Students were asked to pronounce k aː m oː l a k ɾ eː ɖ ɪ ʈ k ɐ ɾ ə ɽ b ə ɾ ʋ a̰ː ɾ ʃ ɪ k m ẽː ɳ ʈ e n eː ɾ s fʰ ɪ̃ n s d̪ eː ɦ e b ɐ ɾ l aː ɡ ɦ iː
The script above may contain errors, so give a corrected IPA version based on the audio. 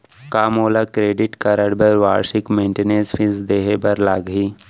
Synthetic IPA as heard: k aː m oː l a k ɾ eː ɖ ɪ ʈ k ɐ ɾ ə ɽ b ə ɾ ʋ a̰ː ɾ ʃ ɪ k m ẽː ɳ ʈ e n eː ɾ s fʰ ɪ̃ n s d̪ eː ɦ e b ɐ ɾ l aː ɡ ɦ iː